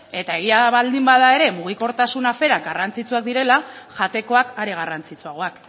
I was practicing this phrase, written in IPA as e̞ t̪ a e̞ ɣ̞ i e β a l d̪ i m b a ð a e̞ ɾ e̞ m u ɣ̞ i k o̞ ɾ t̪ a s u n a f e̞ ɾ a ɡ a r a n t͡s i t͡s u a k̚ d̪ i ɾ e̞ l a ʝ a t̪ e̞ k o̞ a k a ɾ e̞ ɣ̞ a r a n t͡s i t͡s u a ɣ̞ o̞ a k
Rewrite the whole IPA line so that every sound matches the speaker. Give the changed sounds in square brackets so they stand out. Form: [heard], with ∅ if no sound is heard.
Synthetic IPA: e̞ t̪ a e̞ ɣ̞ i [a] β a l d̪ i m b a ð a e̞ ɾ e̞ m u ɣ̞ i k o̞ ɾ t̪ a s u n a f e̞ ɾ a ɡ a r a n t͡s i t͡s u a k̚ d̪ i ɾ e̞ l a ʝ a t̪ e̞ k o̞ a k a ɾ e̞ ɣ̞ a r a n t͡s i t͡s u a ɣ̞ o̞ a k